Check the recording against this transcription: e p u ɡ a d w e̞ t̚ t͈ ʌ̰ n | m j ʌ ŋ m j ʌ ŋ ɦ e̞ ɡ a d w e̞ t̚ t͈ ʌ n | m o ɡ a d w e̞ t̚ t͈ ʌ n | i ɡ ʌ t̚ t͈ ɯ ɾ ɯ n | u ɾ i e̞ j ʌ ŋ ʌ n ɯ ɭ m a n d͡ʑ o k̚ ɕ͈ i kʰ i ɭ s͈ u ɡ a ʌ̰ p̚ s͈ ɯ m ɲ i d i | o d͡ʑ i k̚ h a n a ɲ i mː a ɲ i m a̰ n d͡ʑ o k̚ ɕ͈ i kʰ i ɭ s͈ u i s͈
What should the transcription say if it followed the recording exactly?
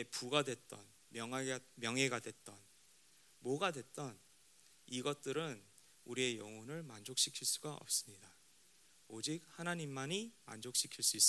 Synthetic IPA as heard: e p u ɡ a d w e̞ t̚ t͈ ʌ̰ n | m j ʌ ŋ m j ʌ ŋ ɦ e̞ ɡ a d w e̞ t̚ t͈ ʌ n | m o ɡ a d w e̞ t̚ t͈ ʌ n | i ɡ ʌ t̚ t͈ ɯ ɾ ɯ n | u ɾ i e̞ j ʌ ŋ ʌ n ɯ ɭ m a n d͡ʑ o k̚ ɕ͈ i kʰ i ɭ s͈ u ɡ a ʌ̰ p̚ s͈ ɯ m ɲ i d a | o d͡ʑ i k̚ h a n a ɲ i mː a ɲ i m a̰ n d͡ʑ o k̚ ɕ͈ i kʰ i ɭ s͈ u i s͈